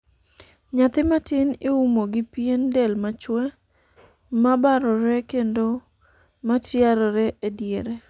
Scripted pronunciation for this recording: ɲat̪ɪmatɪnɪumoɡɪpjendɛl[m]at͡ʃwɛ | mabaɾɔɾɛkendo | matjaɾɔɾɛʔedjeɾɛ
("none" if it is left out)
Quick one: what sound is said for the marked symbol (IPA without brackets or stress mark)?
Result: m